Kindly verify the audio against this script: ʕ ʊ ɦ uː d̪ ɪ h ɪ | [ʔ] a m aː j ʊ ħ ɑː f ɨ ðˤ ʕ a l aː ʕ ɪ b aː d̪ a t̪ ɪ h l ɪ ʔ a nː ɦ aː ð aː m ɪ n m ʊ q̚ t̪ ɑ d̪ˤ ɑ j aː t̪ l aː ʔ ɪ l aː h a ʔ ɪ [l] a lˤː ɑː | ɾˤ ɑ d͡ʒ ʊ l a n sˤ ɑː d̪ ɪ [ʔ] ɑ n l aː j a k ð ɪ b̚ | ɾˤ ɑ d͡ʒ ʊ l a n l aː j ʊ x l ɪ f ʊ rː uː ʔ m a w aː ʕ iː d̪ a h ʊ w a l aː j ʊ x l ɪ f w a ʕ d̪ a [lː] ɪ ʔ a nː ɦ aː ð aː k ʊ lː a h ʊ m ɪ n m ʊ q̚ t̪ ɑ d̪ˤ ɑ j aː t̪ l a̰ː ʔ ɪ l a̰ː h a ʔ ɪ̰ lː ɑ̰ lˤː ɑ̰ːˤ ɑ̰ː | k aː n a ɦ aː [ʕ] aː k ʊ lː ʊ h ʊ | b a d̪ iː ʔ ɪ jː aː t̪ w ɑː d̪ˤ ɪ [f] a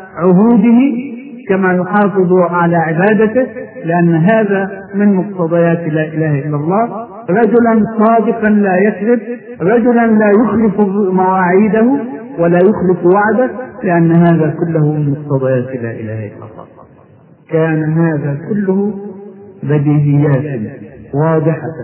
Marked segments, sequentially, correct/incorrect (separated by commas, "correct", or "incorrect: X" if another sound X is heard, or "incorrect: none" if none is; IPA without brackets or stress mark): incorrect: k, incorrect: lː, incorrect: q, incorrect: l, incorrect: ð, incorrect: ħ